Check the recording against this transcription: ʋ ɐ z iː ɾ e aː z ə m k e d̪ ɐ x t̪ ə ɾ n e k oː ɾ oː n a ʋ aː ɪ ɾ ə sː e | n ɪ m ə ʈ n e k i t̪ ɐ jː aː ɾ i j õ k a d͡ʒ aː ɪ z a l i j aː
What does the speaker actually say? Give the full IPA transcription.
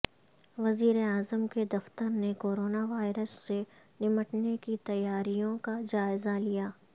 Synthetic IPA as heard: ʋ ɐ z iː ɾ e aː z ə m k e d̪ ɐ f t̪ ə ɾ n e k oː ɾ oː n a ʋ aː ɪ ɾ ə sː e | n ɪ m ə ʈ n e k i t̪ ɐ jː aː ɾ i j õ k a d͡ʒ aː ɪ z a l i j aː